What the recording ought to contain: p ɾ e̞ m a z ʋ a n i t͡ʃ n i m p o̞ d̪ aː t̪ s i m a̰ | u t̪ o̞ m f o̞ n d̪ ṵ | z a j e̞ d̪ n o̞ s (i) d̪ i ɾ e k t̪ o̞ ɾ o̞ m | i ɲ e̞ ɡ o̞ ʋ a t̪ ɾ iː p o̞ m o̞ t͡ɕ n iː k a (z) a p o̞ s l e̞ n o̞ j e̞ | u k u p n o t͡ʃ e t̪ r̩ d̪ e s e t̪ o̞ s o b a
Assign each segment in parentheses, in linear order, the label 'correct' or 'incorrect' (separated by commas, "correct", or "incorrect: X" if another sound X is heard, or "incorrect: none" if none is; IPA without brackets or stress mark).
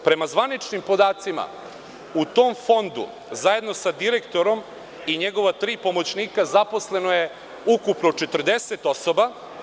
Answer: incorrect: a, correct